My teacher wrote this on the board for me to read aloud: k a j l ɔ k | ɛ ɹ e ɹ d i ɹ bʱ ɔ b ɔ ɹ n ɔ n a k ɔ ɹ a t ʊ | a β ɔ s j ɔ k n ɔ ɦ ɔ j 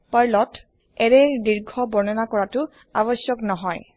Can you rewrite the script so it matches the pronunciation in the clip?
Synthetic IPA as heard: p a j l ɔ t | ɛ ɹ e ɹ d i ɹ ɡʱ ɔ b ɔ ɹ n ɔ n a k ɔ ɹ a t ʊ | a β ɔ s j ɔ k n ɔ ɦ ɔ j